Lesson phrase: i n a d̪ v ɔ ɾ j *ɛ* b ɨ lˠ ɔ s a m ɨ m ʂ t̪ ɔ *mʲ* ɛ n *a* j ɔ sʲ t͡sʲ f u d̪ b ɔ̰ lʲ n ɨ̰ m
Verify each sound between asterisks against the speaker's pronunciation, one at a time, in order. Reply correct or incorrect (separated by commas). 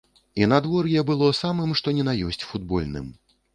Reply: correct, incorrect, correct